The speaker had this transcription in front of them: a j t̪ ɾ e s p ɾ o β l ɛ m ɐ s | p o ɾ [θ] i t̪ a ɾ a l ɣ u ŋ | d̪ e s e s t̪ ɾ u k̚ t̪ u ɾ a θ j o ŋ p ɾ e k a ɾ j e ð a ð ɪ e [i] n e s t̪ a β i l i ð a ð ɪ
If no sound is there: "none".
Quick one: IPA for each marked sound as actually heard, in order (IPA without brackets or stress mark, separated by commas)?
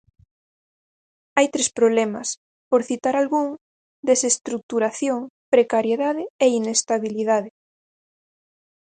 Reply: θ, i